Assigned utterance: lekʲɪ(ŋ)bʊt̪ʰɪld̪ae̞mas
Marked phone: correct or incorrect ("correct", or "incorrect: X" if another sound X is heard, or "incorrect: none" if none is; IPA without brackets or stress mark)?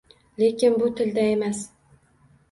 incorrect: n